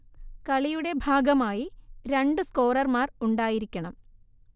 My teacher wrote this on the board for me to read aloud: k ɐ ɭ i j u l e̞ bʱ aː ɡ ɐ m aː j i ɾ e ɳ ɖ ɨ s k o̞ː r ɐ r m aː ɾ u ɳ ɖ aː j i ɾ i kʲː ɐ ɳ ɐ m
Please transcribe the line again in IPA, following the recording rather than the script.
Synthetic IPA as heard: k ɐ ɭ i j u ɽ e̞ bʱ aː ɡ ɐ m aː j i ɾ e ɳ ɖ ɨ s k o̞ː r ɐ r m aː r u ɳ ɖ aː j i ɾ i kʲː ɐ ɳ ɐ m